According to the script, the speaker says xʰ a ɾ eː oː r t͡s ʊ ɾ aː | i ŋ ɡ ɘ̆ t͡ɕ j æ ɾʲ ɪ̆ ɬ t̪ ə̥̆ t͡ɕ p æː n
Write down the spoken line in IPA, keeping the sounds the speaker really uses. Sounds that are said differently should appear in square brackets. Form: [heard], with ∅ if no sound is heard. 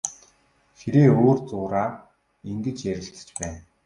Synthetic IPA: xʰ [e] ɾ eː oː r t͡s [ʊː] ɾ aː | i ŋ ɡ ɘ̆ t͡ɕ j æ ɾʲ ɪ̆ ɬ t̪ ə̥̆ t͡ɕ p æː n